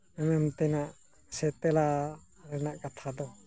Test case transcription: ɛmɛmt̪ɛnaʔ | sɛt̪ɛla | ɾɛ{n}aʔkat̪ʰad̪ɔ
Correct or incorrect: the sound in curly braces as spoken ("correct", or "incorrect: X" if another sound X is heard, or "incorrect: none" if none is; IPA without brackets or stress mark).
correct